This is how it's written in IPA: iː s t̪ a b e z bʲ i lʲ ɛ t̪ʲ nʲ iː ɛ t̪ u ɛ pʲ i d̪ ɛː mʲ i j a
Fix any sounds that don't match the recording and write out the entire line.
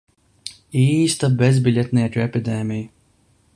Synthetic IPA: iː s t̪ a b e z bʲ i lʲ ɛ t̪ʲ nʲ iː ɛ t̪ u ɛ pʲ i d̪ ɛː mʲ i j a